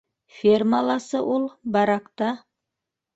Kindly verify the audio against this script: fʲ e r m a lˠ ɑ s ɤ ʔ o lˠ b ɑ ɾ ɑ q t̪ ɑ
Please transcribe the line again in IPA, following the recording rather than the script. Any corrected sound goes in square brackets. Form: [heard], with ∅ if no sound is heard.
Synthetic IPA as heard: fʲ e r m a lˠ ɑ s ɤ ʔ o lˠ b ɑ ɾ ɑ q t̪ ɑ